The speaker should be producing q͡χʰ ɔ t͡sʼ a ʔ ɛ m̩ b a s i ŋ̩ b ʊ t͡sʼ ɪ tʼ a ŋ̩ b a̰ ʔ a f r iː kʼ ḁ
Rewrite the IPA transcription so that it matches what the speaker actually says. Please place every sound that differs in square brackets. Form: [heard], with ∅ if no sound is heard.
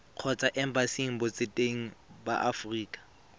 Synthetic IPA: q͡χʰ ɔ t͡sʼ a ʔ ɛ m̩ b a s i ŋ̩ b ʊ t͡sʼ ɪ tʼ [e] ŋ̩ b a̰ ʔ a f r iː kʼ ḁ